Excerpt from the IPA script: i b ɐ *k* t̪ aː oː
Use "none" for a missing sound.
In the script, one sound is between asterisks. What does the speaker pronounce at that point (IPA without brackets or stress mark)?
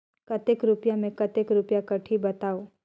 none